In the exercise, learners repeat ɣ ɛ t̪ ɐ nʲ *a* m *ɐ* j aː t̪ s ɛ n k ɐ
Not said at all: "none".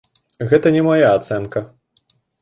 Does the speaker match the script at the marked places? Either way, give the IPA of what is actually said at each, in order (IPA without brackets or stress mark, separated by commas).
ɛ, a